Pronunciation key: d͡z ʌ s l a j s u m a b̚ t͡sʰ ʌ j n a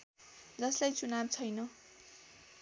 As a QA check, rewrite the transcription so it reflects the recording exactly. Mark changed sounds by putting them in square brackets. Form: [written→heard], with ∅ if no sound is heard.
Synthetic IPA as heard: d͡z ʌ s l a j [s→t͡s] u [m→n] a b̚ t͡sʰ ʌ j n [a→ʌ]